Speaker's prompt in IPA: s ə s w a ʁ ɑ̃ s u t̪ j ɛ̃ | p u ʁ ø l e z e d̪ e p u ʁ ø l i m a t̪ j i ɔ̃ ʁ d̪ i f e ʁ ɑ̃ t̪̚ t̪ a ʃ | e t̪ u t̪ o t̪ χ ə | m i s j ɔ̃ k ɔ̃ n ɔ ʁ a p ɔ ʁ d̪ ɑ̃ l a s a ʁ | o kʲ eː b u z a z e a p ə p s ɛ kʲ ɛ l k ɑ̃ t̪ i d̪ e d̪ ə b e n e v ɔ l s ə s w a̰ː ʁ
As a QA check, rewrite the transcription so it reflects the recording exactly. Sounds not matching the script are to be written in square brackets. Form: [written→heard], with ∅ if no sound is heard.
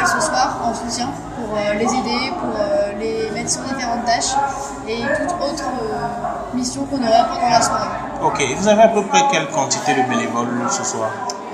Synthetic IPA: s ə s w a ʁ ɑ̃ s u t̪ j ɛ̃ | p u ʁ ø l e z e d̪ e p u ʁ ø l [i→e] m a t̪ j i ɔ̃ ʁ d̪ i f e ʁ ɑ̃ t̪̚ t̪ a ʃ | e t̪ u t̪ o t̪ χ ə | m i s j ɔ̃ k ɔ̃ n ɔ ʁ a p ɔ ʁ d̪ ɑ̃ l a s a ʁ | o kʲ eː [b→v] u z a [z→v] e a p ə p [s→χ] ɛ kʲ ɛ l k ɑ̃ t̪ i [d̪→t̪] e d̪ ə b e n e v ɔ l s ə s w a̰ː ʁ